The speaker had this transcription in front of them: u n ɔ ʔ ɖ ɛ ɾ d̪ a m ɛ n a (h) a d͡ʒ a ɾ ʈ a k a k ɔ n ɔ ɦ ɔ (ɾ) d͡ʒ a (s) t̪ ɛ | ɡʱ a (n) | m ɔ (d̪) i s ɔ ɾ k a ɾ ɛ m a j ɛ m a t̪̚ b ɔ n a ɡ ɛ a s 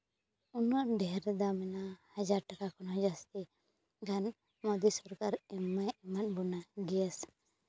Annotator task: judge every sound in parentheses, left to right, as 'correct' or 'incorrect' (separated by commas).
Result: correct, incorrect, correct, correct, correct